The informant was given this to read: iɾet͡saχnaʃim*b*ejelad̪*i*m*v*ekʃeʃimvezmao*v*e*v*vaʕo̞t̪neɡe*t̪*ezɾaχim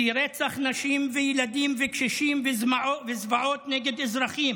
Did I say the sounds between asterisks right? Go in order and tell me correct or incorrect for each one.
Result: incorrect: v, correct, correct, correct, incorrect: z, incorrect: d̪

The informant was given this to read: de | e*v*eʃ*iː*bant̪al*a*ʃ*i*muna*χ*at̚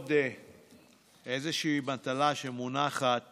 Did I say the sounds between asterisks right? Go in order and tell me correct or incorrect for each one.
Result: incorrect: z, correct, correct, incorrect: e, correct

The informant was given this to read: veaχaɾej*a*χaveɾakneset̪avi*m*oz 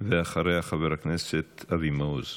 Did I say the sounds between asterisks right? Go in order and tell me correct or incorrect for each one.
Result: correct, correct

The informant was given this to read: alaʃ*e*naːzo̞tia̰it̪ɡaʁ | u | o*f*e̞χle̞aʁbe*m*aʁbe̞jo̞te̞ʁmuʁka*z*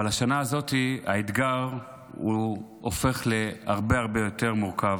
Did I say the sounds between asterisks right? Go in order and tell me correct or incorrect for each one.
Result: incorrect: a, correct, incorrect: none, incorrect: v

